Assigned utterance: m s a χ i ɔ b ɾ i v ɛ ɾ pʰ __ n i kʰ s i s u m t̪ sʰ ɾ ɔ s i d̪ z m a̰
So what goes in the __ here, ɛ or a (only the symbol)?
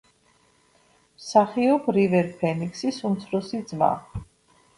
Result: ɛ